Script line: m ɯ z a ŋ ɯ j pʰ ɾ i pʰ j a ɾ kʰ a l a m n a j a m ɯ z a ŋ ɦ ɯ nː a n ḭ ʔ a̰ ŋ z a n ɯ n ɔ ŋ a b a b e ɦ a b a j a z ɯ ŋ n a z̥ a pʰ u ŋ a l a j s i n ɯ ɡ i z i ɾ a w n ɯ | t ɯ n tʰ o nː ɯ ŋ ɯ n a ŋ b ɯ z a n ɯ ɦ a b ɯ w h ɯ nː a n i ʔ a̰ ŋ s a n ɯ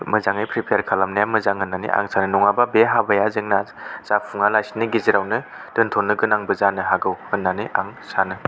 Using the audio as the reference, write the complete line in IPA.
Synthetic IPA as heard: m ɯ z a ŋ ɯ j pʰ ɾ i pʰ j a ɾ kʰ a l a m n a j a m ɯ z a ŋ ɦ ɯ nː a n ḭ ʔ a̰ ŋ s a n ɯ n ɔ ŋ a b a b e ɦ a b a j a z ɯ ŋ n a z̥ a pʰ u ŋ a l a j s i n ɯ ɡ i z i ɾ a w n ɯ | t ɯ n tʰ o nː ɯ ɡ ɯ n a ŋ b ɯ z a n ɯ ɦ a ɡ ɯ w h ɯ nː a n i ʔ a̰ ŋ s a n ɯ